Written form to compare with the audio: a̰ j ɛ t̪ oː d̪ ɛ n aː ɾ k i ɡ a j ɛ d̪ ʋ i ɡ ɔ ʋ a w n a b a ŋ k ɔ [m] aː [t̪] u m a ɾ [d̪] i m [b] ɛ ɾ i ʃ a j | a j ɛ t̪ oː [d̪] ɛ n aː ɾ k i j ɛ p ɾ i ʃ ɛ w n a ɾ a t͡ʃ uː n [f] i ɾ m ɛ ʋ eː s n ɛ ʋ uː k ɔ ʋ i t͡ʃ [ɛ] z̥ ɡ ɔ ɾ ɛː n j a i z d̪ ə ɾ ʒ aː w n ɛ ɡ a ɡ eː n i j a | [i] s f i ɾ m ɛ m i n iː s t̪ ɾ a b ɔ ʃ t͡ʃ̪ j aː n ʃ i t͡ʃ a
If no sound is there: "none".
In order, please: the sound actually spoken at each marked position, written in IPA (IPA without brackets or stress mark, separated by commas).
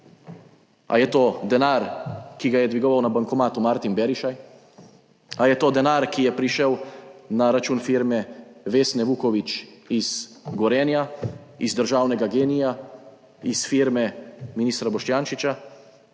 m, t̪, t̪, b, d̪, f, i, i